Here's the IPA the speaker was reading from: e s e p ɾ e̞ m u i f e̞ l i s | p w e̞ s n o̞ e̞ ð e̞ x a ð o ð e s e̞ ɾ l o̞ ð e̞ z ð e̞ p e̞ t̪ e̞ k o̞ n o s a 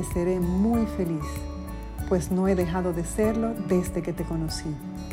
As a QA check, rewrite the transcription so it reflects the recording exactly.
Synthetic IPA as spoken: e s e ɾ e̞ m u j f e̞ l i s | p w e̞ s n o̞ e̞ ð e̞ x a ð o ð e s e̞ ɾ l o̞ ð e̞ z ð e̞ k e̞ t̪ e̞ k o̞ n o s i